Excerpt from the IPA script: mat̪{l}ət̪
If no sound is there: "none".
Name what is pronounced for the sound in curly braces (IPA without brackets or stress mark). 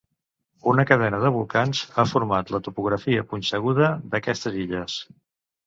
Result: l